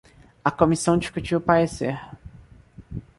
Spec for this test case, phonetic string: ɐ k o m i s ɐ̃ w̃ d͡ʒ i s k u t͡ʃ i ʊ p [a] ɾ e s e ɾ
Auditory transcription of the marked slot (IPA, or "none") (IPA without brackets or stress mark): a